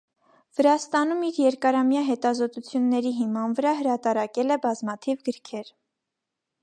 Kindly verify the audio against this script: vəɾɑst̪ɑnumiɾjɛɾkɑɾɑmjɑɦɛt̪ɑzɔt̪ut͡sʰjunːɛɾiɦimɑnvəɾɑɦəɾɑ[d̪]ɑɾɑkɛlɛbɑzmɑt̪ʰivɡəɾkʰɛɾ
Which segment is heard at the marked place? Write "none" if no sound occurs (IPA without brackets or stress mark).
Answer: t̪